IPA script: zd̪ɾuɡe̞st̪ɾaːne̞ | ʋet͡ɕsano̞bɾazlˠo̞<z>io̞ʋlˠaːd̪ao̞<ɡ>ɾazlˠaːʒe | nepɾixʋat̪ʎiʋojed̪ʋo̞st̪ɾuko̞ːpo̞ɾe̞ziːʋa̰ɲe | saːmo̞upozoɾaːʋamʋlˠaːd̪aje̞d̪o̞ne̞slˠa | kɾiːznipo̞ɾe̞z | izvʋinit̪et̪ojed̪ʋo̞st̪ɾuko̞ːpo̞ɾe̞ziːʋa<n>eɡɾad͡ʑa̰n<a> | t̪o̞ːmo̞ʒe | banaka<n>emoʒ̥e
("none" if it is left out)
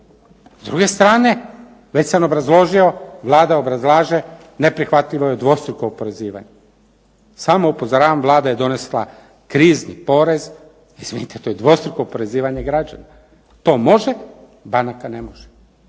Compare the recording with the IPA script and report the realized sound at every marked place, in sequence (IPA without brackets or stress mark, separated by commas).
ʒ, b, ɲ, a, n